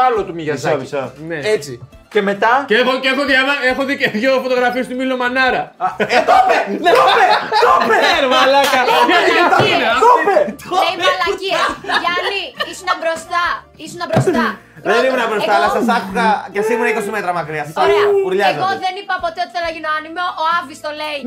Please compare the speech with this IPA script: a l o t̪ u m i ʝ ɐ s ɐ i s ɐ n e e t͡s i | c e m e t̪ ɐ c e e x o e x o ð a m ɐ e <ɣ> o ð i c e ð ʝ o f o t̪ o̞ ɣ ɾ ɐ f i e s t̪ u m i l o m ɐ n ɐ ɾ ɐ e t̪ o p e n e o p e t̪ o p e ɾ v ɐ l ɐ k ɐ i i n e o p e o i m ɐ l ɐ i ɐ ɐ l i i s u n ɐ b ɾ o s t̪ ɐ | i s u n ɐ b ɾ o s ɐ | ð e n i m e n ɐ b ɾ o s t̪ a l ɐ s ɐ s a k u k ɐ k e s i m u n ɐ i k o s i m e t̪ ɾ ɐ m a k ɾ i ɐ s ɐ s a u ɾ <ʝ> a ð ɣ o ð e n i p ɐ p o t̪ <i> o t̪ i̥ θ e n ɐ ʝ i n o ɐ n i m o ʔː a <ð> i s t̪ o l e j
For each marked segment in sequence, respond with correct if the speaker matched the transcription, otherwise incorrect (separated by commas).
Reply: incorrect, incorrect, incorrect, incorrect